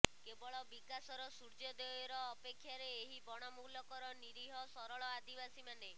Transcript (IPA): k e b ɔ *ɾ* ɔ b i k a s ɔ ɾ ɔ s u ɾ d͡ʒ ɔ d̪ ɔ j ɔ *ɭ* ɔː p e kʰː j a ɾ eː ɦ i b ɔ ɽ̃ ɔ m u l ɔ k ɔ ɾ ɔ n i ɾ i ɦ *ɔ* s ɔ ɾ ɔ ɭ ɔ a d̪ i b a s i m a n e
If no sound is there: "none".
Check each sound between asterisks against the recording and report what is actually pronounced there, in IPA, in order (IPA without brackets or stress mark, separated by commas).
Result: ɭ, ɾ, ɔ